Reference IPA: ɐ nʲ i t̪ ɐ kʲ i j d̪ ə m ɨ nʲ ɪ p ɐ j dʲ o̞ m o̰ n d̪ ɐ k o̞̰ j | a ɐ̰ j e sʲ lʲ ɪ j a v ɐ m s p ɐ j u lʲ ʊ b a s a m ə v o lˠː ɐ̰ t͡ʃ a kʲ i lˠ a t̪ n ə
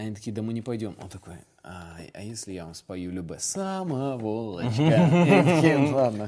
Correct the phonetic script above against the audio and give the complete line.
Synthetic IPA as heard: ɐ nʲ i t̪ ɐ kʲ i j d̪ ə m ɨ nʲ ɪ p ɐ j dʲ o̞ m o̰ n t̪ ɐ k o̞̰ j | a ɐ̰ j e sʲ lʲ ɪ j a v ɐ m s p ɐ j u lʲ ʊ b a s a m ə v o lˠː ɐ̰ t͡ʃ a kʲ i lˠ a d̪ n ə